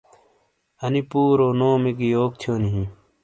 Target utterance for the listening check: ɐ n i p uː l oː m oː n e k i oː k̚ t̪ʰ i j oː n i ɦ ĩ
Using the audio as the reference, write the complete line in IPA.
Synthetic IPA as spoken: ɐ n i p uː ɾ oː n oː m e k i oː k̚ t̪ʰ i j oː n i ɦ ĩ